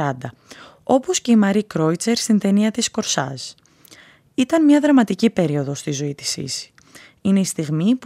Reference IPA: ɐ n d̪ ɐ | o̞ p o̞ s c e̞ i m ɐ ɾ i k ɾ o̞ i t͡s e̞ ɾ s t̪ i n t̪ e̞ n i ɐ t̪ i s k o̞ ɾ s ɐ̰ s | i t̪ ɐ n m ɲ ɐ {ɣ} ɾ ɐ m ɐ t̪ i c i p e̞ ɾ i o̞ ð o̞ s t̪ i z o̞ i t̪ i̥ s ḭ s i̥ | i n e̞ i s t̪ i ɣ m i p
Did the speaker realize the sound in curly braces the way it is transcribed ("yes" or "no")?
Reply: no